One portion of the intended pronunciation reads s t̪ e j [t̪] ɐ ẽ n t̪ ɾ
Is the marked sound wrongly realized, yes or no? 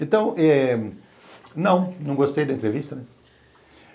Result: yes